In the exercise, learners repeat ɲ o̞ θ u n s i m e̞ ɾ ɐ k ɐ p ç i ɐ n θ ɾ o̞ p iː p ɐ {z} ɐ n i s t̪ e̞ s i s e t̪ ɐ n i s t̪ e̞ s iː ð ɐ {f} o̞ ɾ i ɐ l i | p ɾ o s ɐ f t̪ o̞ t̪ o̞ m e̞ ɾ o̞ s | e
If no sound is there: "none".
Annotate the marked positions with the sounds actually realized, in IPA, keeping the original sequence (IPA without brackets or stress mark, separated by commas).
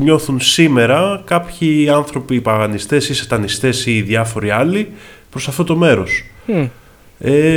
ɣ, f